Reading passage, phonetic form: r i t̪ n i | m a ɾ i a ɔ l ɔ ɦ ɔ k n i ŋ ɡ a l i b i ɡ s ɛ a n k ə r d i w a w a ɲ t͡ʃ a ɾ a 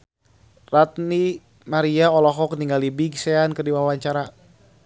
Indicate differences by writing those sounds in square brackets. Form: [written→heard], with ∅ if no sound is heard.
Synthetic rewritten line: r [i→a] t̪ n i | m a ɾ i a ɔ l ɔ ɦ ɔ k n i ŋ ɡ a l i b i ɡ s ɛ a n k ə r d i w a w a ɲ t͡ʃ a ɾ a